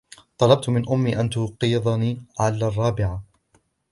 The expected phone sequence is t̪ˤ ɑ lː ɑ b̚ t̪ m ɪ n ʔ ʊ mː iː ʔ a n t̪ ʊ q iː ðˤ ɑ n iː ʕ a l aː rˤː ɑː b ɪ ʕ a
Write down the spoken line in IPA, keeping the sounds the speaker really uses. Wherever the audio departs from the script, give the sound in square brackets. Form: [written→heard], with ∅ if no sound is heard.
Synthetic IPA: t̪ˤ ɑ [lː→l] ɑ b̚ t̪ m ɪ n ʔ ʊ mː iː ʔ a n t̪ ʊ q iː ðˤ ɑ n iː ʕ a l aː rˤː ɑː b ɪ ʕ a